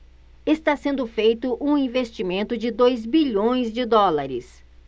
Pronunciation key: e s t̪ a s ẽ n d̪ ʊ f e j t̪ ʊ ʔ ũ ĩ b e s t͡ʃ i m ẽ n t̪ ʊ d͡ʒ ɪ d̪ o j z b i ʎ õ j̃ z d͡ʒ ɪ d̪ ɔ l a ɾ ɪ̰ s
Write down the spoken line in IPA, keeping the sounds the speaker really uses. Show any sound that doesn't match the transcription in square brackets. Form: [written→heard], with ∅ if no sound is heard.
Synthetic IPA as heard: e s t̪ a s ẽ n d̪ ʊ f e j t̪ ʊ ʔ ũ ĩ [b→v] e s t͡ʃ i m ẽ n t̪ ʊ d͡ʒ ɪ d̪ o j z b i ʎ õ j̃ z d͡ʒ ɪ d̪ ɔ l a ɾ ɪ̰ s

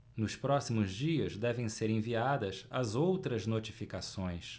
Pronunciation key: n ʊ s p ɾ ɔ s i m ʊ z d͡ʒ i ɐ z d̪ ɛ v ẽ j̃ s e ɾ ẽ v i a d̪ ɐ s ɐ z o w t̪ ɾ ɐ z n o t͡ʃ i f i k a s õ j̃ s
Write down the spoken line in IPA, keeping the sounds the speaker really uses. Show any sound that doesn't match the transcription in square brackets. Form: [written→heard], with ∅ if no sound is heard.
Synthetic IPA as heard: n ʊ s p ɾ ɔ s i m ʊ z d͡ʒ i ɐ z d̪ ɛ v ẽ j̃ s e ɾ ẽ v i a d̪ ɐ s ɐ z o w t̪ ɾ ɐ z n o t͡ʃ i f i k a s õ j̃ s

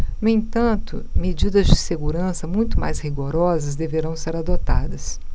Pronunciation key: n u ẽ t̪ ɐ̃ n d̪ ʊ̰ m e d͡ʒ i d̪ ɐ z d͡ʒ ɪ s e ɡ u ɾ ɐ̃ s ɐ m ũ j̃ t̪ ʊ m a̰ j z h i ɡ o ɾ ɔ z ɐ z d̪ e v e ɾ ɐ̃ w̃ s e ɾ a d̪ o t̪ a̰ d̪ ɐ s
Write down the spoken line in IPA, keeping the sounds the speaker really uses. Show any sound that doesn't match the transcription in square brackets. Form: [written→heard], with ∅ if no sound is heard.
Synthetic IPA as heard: n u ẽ t̪ ɐ̃ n [d̪→t̪] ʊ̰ m e d͡ʒ i d̪ ɐ z d͡ʒ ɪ s e ɡ u ɾ ɐ̃ s ɐ m ũ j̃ t̪ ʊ m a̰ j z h i ɡ o ɾ ɔ z ɐ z d̪ e v e ɾ ɐ̃ w̃ s e ɾ a d̪ o t̪ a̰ d̪ ɐ s

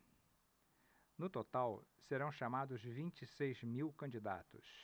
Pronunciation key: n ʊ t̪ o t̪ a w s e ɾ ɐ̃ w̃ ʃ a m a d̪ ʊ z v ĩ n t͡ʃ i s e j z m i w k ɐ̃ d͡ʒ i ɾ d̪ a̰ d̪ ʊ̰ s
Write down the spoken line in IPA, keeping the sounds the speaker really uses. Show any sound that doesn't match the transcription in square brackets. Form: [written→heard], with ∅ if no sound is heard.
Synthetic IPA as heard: n ʊ t̪ o t̪ a w s e ɾ ɐ̃ w̃ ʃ a m a d̪ ʊ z v ĩ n t͡ʃ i s e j z m i w k ɐ̃ d͡ʒ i [ɾ→∅] d̪ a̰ [d̪→t̪] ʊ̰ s

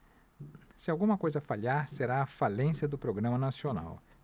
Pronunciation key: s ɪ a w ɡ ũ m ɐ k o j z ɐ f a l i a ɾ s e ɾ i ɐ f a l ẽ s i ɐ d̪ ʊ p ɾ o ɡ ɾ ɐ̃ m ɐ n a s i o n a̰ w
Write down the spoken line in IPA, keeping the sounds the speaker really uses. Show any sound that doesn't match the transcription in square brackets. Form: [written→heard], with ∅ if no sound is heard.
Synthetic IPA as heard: s ɪ a w ɡ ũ m ɐ k o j z ɐ f a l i a ɾ s e ɾ [i→a] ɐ f a l ẽ s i ɐ d̪ ʊ p ɾ o ɡ ɾ ɐ̃ m ɐ n a s i o n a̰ w

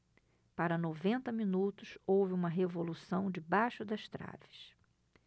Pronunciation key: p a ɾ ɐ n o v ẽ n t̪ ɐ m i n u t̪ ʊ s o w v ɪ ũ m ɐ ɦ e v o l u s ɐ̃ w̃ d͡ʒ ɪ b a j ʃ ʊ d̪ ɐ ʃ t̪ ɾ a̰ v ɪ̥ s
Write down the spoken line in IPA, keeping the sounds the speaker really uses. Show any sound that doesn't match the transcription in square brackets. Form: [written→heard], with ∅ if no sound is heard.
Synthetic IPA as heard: p a ɾ ɐ n o v ẽ n t̪ ɐ m i n u t̪ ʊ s o w v ɪ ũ m ɐ ɦ e v o l u s ɐ̃ w̃ d͡ʒ ɪ b a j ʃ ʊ d̪ ɐ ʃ t̪ ɾ a̰ v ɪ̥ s

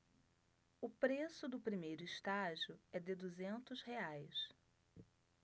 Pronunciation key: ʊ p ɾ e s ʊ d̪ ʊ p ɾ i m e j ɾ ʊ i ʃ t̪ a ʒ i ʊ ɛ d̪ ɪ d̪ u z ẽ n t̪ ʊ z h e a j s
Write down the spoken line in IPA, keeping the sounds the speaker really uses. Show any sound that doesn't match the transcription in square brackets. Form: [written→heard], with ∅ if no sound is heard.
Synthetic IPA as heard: ʊ p ɾ e s ʊ d̪ ʊ p ɾ i m e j ɾ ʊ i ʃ t̪ a ʒ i ʊ ɛ d̪ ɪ d̪ u z ẽ n t̪ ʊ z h e a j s

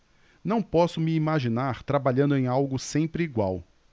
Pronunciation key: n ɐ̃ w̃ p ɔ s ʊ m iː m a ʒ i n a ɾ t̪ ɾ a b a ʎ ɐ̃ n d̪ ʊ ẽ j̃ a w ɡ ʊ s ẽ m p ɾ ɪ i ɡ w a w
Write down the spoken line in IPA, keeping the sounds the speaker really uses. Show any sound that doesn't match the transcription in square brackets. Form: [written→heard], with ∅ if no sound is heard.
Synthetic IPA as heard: n ɐ̃ w̃ p ɔ s ʊ m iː m a ʒ i n a ɾ t̪ ɾ a b a ʎ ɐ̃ n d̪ ʊ ẽ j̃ a w ɡ ʊ s ẽ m p ɾ ɪ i ɡ w a w

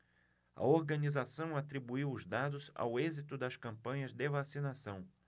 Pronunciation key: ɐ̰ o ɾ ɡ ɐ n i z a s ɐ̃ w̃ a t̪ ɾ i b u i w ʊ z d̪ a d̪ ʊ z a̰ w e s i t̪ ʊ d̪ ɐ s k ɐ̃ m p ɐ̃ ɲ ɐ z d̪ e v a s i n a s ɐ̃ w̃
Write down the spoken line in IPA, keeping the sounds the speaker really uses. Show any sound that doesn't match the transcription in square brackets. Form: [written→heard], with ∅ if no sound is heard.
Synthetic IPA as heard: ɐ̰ o ɾ ɡ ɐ n i z a s ɐ̃ w̃ a t̪ ɾ i b u i w ʊ z d̪ a d̪ ʊ z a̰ w e [s→z] i t̪ ʊ d̪ ɐ s k ɐ̃ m p ɐ̃ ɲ ɐ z d̪ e v a s i n a s ɐ̃ w̃

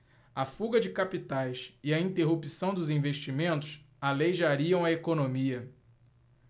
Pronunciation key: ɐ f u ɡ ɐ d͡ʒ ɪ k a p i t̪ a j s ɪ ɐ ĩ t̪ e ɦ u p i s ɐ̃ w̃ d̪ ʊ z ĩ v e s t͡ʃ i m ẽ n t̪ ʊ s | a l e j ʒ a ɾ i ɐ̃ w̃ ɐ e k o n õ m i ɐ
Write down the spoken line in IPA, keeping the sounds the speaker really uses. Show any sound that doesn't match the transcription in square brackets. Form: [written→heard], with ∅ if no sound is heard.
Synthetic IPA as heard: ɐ f u ɡ ɐ d͡ʒ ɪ k a p i t̪ a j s ɪ ɐ ĩ t̪ e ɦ u p i s ɐ̃ w̃ d̪ ʊ z ĩ v e [s→ʃ] t͡ʃ i m ẽ n t̪ ʊ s | a l e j ʒ a ɾ i ɐ̃ w̃ ɐ e k o n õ m i ɐ

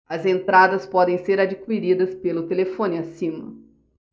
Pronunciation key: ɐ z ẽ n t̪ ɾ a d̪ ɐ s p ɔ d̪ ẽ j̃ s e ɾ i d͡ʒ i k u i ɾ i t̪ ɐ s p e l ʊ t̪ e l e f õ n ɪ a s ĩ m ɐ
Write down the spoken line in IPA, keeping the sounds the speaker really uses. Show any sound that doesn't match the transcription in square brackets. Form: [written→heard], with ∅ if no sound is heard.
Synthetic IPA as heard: ɐ z ẽ n t̪ ɾ a d̪ ɐ s p ɔ d̪ ẽ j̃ s e ɾ [i→a] d͡ʒ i k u i ɾ i [t̪→d̪] ɐ s p e l ʊ t̪ e l e f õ n ɪ a s ĩ m ɐ

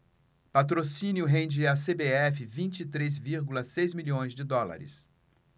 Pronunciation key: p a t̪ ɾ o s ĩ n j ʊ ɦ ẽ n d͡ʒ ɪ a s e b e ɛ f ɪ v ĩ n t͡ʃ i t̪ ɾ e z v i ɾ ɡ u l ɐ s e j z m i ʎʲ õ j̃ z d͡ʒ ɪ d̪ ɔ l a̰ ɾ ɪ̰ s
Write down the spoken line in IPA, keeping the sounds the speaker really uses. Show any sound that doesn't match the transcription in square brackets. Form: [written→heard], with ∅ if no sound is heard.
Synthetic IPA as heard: p a t̪ ɾ o s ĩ n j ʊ ɦ ẽ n d͡ʒ ɪ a s e b e ɛ f ɪ v ĩ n t͡ʃ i t̪ ɾ e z v i ɾ ɡ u l ɐ s e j z m i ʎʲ õ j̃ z d͡ʒ ɪ d̪ ɔ l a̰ ɾ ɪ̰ s

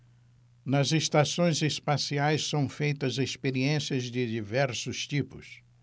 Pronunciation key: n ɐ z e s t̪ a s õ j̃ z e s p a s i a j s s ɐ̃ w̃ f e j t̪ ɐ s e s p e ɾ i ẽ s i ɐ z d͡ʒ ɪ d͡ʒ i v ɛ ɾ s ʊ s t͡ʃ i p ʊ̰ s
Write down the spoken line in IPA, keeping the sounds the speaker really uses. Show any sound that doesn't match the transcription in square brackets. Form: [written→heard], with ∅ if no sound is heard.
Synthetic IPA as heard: n ɐ z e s t̪ a s õ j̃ z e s p a s i a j s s ɐ̃ w̃ f e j t̪ ɐ [s→z] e s p e ɾ i ẽ s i ɐ z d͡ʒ ɪ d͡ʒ i v ɛ ɾ s ʊ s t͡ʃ i p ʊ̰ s

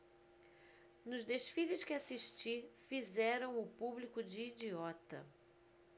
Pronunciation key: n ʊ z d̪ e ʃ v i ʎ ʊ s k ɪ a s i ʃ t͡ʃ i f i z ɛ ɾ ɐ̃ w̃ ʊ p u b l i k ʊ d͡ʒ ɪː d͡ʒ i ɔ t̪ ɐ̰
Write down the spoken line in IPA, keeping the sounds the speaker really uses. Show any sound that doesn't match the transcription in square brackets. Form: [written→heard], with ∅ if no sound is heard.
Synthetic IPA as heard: n ʊ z d̪ e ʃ [v→f] i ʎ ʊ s k ɪ a s i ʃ t͡ʃ i f i z ɛ ɾ ɐ̃ w̃ ʊ p u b l i k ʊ d͡ʒ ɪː d͡ʒ i ɔ t̪ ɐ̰

